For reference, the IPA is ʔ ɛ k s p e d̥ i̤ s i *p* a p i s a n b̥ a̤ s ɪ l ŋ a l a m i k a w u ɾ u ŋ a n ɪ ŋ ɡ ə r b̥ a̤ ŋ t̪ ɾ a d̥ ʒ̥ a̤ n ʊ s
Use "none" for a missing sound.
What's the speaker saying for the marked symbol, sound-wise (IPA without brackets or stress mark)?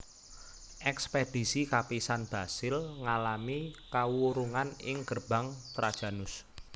k